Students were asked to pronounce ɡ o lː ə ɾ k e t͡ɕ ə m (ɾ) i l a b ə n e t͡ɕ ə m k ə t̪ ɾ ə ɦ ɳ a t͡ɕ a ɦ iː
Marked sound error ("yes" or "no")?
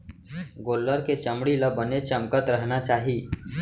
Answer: yes